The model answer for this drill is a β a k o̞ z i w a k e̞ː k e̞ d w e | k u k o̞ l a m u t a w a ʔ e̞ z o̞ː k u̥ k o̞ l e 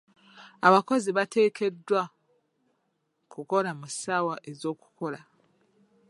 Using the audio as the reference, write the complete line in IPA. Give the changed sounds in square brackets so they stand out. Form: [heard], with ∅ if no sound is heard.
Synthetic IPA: a β a k o̞ z i [β] a [t] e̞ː k e̞ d w [a] | k u k o̞ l a m u [s] a w a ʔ e̞ z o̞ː k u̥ k o̞ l [a]